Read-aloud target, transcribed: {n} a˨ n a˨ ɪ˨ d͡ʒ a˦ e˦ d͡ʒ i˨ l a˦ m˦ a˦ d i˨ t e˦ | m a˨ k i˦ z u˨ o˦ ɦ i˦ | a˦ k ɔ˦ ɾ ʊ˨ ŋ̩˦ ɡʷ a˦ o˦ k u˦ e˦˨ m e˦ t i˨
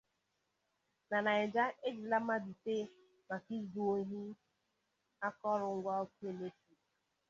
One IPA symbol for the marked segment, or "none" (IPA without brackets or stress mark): n